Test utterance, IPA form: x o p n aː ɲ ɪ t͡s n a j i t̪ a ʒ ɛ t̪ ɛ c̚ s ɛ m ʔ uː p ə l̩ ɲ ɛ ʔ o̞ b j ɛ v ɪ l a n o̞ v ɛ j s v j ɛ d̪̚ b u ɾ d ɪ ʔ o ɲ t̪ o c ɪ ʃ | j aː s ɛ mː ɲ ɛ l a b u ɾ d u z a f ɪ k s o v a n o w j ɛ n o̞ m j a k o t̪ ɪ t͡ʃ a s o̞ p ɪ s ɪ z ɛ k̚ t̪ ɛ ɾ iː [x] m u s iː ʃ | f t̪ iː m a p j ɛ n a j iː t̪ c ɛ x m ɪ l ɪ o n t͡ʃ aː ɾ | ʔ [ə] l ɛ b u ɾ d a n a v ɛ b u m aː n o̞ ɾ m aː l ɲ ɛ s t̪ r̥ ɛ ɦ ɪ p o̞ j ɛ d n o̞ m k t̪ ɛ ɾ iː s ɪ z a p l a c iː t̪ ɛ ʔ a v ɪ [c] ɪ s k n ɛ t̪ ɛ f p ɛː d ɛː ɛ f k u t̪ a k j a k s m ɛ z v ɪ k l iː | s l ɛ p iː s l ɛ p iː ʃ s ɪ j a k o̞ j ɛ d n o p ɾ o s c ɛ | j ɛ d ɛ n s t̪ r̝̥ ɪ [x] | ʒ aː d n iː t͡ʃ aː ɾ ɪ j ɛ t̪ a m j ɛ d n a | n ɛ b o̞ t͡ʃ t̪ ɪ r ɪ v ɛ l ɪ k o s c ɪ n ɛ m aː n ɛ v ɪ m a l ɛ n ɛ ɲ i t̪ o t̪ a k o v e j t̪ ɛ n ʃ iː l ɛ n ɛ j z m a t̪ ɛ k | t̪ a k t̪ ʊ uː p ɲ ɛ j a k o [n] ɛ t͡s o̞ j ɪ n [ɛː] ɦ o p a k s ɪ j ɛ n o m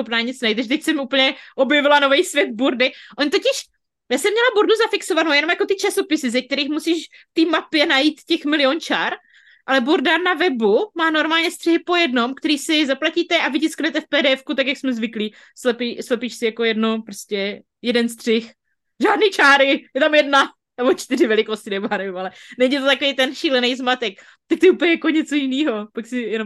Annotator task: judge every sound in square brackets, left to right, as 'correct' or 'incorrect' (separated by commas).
correct, incorrect, correct, correct, incorrect, incorrect